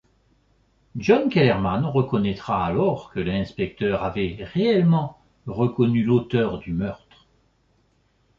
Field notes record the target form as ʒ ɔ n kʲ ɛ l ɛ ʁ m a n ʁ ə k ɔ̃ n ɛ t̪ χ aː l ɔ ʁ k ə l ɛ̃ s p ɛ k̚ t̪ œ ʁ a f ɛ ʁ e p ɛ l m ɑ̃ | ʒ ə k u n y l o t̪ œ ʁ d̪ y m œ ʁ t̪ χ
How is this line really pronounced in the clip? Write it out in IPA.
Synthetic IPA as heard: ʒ ɔ n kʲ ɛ l ɛ ʁ m a n ʁ ə k ɔ n ɛ t̪ χ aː l ɔ ʁ k ə l ɛ̃ s p ɛ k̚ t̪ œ ʁ a v ɛ ʁ e ɛ l m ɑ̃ | ʁ ə k ɔ n y l o t̪ œ ʁ d̪ y m œ ʁ t̪ χ